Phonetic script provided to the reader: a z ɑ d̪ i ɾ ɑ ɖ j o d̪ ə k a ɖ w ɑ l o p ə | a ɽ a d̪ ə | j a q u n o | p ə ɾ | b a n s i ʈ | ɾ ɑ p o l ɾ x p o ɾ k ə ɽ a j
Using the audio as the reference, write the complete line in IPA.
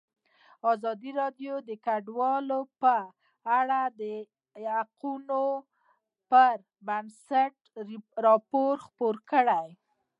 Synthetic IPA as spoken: ɑ z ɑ d̪ i ɾ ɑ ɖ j o d̪ ə k a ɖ w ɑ l o p ə | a ɽ a d̪ ə | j a q u n o | p ə ɾ | b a n s a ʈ | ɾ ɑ p o ɾ x p o ɾ k ə ɽ a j